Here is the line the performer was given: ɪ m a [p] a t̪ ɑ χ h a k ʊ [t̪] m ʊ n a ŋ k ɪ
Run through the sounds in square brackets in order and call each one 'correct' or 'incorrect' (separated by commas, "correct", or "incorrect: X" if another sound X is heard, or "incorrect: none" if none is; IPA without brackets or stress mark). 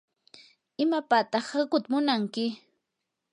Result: correct, correct